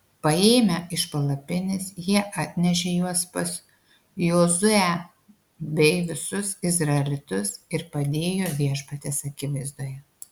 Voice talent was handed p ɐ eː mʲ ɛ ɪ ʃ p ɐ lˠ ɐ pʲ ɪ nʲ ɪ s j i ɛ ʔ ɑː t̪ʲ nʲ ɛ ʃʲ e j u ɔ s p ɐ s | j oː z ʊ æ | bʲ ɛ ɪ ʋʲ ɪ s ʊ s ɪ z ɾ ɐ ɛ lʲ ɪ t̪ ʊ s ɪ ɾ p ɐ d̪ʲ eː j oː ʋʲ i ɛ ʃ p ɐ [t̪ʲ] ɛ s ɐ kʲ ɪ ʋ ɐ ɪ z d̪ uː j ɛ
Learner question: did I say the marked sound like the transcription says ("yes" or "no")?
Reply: yes